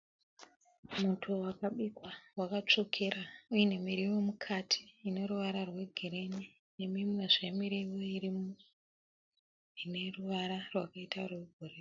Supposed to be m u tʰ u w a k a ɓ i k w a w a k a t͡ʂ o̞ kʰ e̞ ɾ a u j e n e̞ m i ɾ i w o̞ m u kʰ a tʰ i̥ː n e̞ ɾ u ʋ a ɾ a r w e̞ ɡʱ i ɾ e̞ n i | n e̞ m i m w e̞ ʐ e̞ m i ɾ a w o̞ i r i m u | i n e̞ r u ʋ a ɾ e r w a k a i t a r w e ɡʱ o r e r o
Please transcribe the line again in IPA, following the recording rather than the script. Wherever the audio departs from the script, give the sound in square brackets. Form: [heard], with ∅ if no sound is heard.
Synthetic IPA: m u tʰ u w a k a ɓ i k w a w a k a t͡ʂ o̞ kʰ e̞ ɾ a u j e n e̞ m i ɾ i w o̞ m u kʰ a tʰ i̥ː n e̞ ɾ u ʋ a ɾ a r w e̞ ɡʱ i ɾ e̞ n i | n e̞ m i m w e̞ ʐ e̞ m i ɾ [i] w o̞ i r i m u | i n e̞ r u ʋ a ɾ [a] r w a k a i t a r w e ɡʱ o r e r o